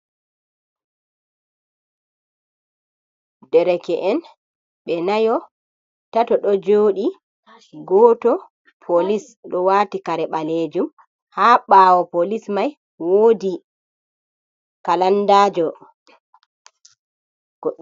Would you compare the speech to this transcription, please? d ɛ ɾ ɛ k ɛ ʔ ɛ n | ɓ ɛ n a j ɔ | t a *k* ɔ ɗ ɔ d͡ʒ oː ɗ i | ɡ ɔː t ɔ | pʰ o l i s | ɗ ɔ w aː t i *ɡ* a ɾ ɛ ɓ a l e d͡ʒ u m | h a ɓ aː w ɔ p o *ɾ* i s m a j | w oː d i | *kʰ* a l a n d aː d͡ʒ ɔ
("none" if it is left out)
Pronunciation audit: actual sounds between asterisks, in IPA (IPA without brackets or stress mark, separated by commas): t, k, l, k